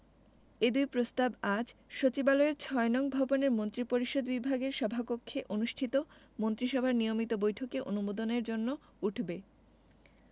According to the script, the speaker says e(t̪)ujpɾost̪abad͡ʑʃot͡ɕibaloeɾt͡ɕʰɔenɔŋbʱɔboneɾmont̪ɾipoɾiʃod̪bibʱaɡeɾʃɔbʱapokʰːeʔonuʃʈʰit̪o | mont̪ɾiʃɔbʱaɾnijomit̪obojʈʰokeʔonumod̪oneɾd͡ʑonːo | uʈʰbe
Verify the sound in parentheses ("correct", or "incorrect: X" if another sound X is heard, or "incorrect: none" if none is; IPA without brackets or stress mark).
incorrect: d̪